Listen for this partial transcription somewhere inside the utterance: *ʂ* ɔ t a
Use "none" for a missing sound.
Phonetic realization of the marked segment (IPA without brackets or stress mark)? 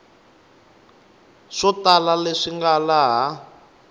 ʂ